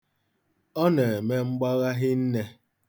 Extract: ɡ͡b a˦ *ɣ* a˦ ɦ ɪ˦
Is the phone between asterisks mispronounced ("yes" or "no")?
no